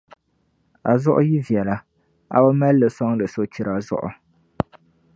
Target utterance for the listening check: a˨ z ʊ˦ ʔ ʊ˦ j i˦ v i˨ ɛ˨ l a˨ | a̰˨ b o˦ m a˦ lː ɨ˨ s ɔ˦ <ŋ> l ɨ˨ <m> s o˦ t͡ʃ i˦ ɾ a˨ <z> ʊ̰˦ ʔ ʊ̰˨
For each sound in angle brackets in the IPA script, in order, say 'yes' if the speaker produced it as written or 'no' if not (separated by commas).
yes, no, yes